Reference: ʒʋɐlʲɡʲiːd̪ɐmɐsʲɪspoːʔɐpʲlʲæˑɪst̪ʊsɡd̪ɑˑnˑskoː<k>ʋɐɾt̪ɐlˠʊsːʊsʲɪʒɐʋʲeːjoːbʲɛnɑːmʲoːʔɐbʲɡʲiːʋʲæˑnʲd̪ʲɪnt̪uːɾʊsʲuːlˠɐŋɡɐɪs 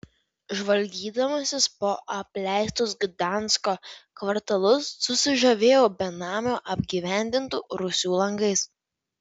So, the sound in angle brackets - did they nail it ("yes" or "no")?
yes